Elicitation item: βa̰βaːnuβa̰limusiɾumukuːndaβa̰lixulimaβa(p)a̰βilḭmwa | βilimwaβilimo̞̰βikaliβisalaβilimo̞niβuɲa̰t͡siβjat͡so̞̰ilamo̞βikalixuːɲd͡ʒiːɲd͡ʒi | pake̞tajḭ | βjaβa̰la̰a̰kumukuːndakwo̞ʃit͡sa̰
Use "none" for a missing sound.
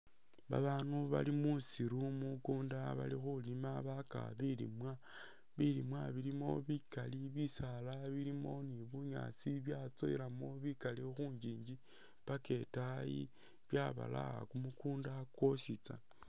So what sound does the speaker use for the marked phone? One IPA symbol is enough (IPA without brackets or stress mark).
k